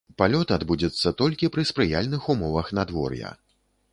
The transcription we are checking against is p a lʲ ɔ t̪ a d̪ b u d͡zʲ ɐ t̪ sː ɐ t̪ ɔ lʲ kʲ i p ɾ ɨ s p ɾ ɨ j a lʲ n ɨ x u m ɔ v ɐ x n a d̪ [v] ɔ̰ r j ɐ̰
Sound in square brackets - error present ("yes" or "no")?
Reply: no